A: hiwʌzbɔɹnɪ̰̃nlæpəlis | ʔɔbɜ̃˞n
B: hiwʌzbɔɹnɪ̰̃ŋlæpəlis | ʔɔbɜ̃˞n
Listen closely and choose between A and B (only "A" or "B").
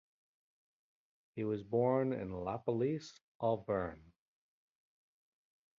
A